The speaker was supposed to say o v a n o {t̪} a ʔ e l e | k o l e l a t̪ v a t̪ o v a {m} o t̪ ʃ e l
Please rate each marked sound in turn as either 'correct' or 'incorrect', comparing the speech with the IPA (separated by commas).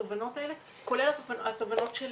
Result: correct, incorrect